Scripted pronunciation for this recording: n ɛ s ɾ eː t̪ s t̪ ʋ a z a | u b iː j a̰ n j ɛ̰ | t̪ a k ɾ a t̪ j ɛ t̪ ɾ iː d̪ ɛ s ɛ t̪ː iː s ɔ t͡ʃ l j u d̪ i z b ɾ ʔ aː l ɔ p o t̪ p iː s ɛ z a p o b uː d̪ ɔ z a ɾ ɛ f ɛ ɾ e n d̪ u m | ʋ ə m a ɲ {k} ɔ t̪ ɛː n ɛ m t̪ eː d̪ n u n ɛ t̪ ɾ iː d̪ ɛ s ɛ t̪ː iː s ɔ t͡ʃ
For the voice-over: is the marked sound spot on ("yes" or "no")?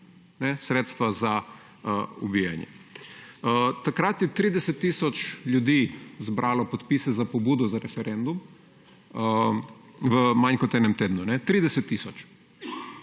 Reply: yes